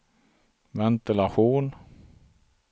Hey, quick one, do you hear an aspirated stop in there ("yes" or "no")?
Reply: no